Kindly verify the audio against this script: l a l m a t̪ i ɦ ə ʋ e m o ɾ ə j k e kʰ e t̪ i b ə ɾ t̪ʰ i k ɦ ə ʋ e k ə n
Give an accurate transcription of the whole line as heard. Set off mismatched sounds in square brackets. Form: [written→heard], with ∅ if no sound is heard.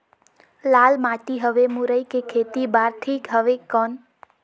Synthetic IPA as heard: l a l m a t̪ i ɦ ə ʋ e m [o→u] ɾ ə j k e kʰ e t̪ i b [ə→a] ɾ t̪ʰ i k ɦ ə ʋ e k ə n

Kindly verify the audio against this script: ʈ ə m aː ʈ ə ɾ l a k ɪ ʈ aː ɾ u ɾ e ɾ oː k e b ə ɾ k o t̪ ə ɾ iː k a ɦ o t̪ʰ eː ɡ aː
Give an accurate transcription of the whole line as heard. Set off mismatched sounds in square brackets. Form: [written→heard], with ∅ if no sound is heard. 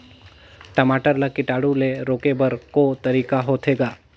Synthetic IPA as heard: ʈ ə m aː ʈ ə ɾ l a k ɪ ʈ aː [ɾ→ɽ] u [ɾ→l] e ɾ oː k e b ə ɾ k o t̪ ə ɾ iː k a ɦ o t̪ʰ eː ɡ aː

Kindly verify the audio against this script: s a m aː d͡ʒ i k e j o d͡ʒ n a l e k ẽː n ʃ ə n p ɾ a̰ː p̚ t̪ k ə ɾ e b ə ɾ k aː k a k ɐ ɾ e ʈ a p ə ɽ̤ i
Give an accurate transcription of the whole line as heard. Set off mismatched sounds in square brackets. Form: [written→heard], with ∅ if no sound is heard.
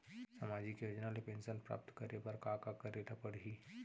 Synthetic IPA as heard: s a m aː d͡ʒ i k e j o d͡ʒ n a l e [k→p] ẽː n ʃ ə n p ɾ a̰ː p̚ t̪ k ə ɾ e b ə ɾ k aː k a k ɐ ɾ e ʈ a p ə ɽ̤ i

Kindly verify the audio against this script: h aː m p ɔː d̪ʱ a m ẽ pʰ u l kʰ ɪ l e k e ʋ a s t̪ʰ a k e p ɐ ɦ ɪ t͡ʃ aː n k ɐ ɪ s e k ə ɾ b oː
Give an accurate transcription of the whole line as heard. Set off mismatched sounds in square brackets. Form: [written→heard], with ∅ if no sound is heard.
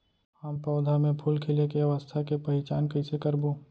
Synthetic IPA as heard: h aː m p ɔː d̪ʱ a m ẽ pʰ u l kʰ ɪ l e k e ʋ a s t̪ʰ a k e p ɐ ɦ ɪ t͡ʃ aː n k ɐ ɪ s e k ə ɾ b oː

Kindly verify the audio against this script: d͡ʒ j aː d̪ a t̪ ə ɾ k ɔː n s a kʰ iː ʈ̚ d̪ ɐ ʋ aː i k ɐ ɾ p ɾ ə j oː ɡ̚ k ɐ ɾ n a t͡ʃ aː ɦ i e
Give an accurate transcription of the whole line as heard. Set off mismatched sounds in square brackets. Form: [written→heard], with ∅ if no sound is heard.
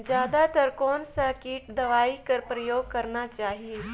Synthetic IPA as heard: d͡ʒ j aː d̪ a t̪ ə ɾ k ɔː n s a [kʰ→k] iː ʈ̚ d̪ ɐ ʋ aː i k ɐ ɾ p ɾ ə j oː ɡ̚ k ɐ ɾ n a t͡ʃ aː ɦ i e

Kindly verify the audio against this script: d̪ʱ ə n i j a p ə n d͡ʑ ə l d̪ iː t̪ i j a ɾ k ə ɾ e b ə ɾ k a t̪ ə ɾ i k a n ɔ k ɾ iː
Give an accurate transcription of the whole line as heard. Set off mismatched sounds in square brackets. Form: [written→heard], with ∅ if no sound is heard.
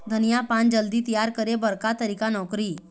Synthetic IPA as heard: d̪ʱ ə n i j a p [ə→a] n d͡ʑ ə l d̪ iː t̪ i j a ɾ k ə ɾ e b ə ɾ k a t̪ ə ɾ i k a n ɔ k ɾ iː

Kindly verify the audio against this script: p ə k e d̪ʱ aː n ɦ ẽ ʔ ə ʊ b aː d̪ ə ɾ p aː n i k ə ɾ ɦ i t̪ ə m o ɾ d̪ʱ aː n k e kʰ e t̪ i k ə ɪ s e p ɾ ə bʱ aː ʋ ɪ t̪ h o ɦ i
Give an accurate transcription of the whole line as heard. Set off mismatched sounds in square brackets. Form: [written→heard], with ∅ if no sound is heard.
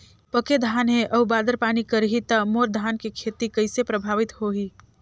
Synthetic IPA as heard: p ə k e d̪ʱ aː n ɦ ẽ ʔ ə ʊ b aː d̪ ə ɾ p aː n i k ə ɾ ɦ i t̪ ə m o ɾ d̪ʱ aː n k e kʰ e t̪ i k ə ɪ s e p ɾ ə bʱ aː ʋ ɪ t̪ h o ɦ i

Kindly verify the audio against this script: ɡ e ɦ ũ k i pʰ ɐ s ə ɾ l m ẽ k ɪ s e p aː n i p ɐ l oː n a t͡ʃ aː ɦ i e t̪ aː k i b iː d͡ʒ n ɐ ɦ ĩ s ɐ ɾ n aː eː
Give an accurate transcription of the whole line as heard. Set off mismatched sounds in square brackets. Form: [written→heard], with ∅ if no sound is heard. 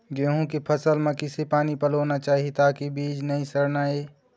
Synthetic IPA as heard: ɡ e ɦ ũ k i pʰ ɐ s ə [ɾ→∅] l m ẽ k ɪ s e p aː n i p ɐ l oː n a t͡ʃ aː ɦ i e t̪ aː k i b iː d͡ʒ n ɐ ɦ ĩ s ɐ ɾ n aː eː

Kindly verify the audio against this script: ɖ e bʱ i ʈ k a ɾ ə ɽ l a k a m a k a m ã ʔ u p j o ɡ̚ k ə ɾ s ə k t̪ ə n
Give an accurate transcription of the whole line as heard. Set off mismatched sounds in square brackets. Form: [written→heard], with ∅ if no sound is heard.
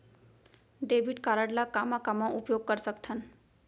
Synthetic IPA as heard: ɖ e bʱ i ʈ k a ɾ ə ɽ l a k a m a k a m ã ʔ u p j o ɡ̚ k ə ɾ s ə k [t̪→t̪ʰ] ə n

